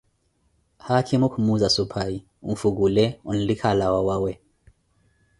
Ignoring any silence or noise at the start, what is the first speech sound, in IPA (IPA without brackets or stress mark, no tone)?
h